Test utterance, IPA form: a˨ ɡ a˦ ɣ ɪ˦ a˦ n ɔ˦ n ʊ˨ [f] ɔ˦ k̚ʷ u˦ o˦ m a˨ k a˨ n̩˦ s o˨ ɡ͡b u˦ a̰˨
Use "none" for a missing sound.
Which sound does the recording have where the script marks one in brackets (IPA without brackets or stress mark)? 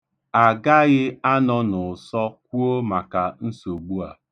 s